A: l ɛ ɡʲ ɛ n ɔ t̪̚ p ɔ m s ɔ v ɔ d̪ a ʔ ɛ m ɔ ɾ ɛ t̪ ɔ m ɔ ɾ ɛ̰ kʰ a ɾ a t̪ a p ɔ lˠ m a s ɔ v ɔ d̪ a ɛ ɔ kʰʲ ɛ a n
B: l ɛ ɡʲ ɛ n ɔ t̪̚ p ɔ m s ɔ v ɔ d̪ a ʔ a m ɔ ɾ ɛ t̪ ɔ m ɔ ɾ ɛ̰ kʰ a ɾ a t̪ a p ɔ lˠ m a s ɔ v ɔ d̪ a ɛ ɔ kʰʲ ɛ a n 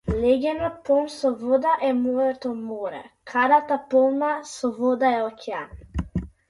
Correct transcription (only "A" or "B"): A